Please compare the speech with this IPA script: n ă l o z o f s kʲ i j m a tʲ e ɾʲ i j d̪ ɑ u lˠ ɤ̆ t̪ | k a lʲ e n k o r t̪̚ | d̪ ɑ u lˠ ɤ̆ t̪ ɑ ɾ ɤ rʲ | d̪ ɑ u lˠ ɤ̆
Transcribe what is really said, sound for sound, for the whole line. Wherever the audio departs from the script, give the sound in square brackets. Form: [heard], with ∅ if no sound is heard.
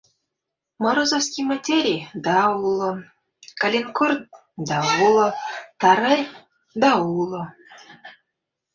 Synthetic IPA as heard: [m] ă [ɾ] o z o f s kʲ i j m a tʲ e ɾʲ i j d̪ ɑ u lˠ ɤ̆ [∅] | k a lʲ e n k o r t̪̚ | d̪ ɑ u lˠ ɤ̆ t̪ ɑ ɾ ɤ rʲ | d̪ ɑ u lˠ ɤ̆